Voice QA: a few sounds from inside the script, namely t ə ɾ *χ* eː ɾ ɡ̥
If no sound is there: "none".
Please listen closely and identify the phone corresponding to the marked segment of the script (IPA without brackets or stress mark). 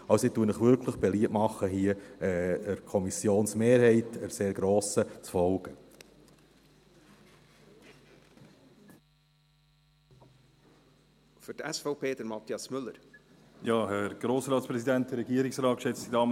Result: s